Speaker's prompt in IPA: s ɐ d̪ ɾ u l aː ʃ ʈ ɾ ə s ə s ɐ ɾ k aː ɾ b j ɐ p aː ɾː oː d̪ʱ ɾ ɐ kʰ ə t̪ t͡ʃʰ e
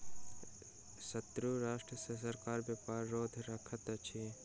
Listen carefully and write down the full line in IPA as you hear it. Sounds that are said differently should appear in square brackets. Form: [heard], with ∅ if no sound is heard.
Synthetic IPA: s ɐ [t̪] ɾ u [ɾ] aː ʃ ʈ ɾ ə s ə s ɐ ɾ k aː ɾ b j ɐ p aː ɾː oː d̪ʱ ɾ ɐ kʰ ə t̪ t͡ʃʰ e